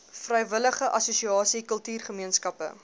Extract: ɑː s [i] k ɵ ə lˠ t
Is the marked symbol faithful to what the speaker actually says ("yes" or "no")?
yes